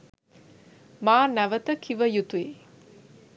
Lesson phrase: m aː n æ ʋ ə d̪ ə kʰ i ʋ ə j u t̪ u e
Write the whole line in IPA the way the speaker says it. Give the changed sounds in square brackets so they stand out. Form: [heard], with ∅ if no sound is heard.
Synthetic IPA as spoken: m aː n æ ʋ ə [t̪] ə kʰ i ʋ ə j u t̪ u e